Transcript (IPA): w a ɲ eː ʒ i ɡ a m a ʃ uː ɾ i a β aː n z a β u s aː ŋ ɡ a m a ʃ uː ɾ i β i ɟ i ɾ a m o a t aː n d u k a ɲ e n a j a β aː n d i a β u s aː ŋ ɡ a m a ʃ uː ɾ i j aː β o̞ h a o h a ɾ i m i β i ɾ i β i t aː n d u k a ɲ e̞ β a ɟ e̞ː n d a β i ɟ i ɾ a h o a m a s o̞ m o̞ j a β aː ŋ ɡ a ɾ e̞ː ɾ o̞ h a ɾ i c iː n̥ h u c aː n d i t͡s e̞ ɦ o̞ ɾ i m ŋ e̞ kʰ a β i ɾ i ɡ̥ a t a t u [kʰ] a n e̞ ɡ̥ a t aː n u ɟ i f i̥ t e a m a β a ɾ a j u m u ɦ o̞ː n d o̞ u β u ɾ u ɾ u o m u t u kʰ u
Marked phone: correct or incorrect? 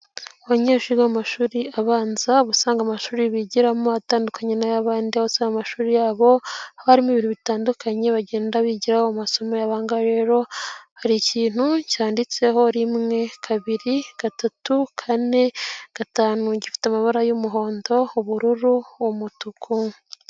correct